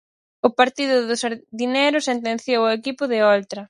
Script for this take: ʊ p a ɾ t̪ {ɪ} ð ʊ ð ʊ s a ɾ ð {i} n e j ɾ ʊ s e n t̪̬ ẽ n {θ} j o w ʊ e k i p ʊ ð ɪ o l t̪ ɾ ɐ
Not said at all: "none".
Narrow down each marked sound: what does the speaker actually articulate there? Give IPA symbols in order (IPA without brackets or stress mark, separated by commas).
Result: i, i, θ